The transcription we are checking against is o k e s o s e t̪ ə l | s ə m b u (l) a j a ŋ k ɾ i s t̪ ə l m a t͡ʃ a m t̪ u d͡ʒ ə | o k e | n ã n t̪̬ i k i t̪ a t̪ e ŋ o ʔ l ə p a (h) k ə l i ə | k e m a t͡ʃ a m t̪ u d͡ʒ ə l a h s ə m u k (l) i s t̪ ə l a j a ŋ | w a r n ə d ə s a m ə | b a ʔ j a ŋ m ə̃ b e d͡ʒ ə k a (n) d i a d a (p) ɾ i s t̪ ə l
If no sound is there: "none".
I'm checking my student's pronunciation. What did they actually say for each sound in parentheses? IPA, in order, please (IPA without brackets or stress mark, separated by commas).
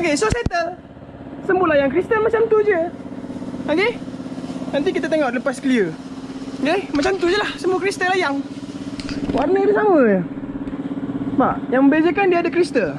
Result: l, s, ɾ, n, k